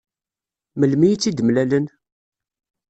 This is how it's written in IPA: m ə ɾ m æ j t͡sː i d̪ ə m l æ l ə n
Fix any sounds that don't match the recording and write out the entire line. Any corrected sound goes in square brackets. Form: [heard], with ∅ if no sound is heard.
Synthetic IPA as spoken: m ə [l] m [i] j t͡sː i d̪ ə m l æ l ə n